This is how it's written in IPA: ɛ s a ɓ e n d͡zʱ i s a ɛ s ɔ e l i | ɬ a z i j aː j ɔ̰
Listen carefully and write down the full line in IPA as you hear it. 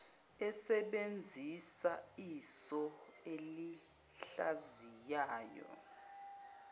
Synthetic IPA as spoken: ɛ s ɛ ɓ e n d͡zʱ i s a i s ɔ e l i | ɬ a z i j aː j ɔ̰